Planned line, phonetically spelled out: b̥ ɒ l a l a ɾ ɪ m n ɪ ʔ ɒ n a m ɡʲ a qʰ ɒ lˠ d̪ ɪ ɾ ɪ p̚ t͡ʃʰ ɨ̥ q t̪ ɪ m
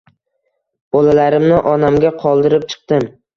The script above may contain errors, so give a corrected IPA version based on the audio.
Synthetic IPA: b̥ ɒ l a l a ɾ ɪ m n ɪ ʔ ɒ n a m ɡʲ a qʰ ɒ lˠ d̪ ɪ ɾ ɪ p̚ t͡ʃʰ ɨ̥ q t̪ ɪ m